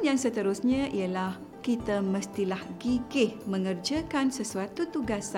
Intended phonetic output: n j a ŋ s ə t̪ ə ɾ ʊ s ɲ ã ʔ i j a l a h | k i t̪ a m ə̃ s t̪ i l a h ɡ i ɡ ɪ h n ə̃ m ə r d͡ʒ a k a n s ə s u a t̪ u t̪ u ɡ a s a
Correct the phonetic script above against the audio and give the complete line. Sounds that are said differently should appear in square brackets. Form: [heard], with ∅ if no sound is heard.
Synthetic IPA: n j a ŋ s ə t̪ ə ɾ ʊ s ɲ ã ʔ i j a l a h | k i t̪ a m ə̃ s t̪ i l a h ɡ i ɡ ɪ h [m] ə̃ [ŋ] ə r d͡ʒ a k a n s ə s u a t̪ u t̪ u ɡ a s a